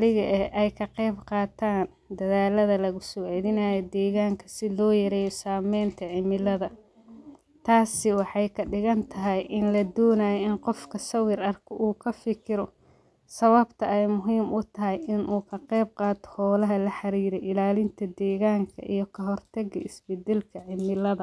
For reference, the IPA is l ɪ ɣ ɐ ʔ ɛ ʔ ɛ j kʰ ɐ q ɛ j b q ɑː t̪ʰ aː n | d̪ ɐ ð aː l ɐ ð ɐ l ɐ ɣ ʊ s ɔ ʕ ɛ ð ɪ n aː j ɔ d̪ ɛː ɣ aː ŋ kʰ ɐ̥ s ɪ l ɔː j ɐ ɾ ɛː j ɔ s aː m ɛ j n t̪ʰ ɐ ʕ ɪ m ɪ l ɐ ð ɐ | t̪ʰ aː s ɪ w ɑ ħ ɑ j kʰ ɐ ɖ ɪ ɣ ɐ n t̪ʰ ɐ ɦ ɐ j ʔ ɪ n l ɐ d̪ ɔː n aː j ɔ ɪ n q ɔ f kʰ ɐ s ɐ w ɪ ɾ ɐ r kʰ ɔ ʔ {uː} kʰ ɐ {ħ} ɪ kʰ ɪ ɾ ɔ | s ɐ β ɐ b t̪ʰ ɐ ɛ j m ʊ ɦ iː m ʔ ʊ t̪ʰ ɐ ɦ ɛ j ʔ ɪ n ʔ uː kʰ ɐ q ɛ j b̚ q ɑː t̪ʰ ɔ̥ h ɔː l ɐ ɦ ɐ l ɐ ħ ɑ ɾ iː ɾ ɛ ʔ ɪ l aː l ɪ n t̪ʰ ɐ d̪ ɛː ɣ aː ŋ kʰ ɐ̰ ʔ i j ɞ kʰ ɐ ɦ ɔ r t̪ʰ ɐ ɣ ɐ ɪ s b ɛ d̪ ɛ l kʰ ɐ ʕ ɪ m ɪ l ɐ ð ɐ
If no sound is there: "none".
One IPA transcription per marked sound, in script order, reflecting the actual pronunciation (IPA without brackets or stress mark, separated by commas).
uː, f